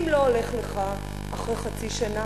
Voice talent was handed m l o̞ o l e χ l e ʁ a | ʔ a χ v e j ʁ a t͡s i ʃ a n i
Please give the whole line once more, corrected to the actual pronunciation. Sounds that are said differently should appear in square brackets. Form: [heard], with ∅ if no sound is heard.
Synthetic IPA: m l o̞ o l e χ l e [χ] a | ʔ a χ [ʁ] e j [χ] a t͡s i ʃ a n [a]